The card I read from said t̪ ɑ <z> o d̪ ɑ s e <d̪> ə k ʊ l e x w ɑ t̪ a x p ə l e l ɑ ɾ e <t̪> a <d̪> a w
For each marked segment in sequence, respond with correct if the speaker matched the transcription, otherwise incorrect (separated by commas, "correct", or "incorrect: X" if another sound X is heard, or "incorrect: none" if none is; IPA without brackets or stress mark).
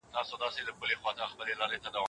incorrect: s, correct, correct, correct